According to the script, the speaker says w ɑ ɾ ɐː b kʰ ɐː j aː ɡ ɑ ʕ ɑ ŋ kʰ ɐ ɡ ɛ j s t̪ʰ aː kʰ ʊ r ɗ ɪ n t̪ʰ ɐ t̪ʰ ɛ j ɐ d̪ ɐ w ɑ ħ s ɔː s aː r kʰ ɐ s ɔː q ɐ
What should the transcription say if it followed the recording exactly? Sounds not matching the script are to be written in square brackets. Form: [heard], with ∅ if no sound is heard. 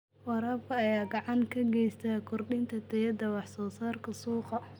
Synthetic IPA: w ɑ ɾ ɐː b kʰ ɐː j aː ɡ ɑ ʕ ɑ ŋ kʰ ɐ ɡ ɛ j s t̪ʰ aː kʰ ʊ r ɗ ɪ n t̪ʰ ɐ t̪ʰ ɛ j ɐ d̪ ɐ w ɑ ħ s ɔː s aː r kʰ ɐ s [uː] q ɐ